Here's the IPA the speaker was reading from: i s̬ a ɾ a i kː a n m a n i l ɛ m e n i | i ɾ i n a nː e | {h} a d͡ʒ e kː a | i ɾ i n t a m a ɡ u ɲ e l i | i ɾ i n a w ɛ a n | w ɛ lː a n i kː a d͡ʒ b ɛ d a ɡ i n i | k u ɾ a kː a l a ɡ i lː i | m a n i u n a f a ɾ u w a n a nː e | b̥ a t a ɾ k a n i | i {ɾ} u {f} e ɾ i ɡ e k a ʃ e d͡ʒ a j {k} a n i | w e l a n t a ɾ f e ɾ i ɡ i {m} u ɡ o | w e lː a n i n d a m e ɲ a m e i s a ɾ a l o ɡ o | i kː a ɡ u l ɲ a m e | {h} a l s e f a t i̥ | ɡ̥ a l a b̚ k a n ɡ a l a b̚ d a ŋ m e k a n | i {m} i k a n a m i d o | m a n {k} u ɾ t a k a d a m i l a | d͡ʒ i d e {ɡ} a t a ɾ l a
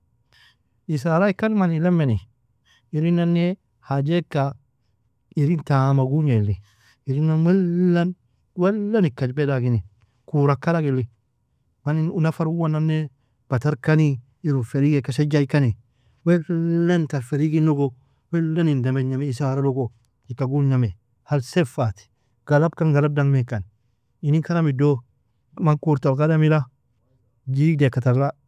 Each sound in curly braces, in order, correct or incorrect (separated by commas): correct, correct, correct, correct, incorrect, correct, incorrect, correct, incorrect